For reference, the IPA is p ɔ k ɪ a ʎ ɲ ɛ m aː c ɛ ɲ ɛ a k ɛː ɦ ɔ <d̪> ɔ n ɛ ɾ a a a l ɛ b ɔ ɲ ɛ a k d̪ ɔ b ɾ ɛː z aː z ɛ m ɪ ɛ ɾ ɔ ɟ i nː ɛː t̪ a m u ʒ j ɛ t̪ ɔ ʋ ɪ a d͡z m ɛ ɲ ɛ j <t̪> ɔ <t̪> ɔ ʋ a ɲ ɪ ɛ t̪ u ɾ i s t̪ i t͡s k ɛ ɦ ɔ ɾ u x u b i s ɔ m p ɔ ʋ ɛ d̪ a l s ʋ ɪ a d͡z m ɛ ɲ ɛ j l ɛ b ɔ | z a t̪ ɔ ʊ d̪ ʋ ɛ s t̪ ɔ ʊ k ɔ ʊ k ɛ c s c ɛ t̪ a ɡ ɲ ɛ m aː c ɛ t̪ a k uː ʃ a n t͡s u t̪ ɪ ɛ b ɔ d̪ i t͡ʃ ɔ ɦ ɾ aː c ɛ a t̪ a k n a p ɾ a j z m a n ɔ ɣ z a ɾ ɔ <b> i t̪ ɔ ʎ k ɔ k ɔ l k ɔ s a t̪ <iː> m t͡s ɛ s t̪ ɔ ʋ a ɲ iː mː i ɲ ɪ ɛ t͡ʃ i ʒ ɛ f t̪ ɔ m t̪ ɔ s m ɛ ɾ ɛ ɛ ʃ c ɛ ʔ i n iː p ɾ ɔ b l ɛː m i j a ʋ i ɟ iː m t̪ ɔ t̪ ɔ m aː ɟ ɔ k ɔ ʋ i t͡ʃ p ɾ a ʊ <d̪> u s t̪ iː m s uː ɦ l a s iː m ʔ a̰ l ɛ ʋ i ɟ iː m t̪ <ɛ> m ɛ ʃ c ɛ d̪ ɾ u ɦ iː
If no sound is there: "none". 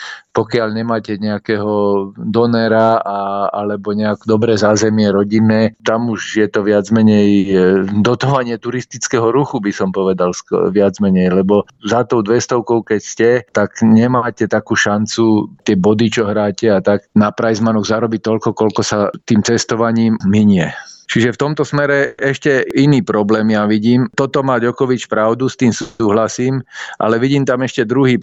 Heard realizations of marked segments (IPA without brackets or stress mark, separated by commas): d̪, d̪, t̪, b, iː, d̪, a